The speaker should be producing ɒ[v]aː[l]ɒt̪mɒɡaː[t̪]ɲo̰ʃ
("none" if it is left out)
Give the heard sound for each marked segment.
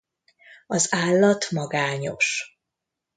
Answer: z, lː, none

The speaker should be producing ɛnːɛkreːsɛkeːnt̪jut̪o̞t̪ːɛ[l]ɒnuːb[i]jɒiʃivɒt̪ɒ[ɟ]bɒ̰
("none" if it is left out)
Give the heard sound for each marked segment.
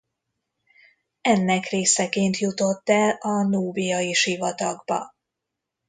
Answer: l, i, ɡ

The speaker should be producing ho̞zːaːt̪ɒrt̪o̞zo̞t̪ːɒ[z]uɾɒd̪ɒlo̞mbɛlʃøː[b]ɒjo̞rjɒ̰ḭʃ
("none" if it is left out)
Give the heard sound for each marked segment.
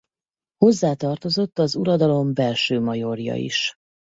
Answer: z, m

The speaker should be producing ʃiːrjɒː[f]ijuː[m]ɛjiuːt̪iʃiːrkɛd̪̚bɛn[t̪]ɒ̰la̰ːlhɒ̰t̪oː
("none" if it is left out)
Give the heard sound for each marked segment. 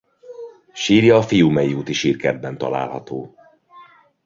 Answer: f, m, t̪

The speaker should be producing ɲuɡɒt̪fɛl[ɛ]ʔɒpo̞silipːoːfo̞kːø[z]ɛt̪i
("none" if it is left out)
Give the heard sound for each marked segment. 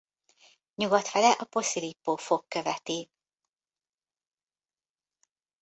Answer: ɛ, v

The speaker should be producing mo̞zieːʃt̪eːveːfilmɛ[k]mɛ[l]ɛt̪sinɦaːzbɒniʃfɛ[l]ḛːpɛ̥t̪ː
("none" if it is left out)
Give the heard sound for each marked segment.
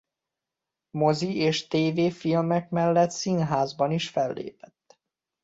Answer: k, lː, lː

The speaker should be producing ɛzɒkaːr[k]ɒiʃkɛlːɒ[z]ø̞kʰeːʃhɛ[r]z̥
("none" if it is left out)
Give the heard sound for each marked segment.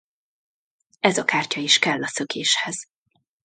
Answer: c, s, none

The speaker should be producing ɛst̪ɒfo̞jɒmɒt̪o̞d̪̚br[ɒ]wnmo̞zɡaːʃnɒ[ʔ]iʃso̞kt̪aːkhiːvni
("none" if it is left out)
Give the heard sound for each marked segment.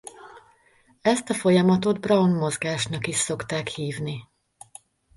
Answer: ɒ, k

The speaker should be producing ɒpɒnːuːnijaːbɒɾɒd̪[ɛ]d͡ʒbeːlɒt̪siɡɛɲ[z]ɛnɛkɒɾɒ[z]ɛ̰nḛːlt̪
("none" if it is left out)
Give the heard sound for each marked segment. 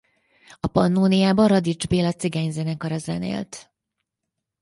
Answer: i, z, z

